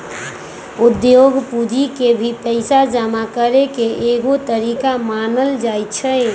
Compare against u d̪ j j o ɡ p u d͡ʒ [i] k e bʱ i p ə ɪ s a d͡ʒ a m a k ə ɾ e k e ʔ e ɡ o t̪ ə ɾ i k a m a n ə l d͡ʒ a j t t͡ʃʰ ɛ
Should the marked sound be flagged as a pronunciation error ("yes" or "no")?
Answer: no